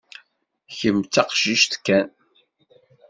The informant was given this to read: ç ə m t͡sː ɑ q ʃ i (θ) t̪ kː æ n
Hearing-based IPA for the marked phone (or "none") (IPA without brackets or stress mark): ʃ